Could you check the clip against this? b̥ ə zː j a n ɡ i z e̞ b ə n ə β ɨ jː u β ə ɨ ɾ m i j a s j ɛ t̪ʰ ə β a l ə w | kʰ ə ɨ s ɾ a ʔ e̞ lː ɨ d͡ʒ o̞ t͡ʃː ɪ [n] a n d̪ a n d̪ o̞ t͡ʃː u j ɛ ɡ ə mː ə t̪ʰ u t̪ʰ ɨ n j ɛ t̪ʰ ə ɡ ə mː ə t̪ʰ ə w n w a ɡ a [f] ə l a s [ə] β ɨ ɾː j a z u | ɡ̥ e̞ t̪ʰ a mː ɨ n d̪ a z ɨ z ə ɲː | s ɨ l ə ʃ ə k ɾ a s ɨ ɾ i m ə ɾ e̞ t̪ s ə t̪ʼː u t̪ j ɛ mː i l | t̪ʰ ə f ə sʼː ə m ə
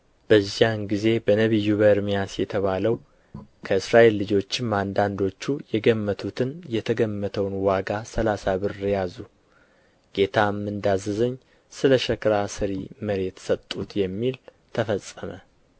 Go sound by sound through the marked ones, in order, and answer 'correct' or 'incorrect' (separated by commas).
incorrect, incorrect, incorrect